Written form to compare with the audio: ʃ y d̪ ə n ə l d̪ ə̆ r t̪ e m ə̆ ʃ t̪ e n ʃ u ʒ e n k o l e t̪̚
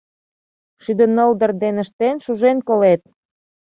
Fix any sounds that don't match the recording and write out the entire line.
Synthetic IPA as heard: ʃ y d̪ ə n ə l d̪ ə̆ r d̪ e n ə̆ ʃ t̪ e n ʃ u ʒ e n k o l e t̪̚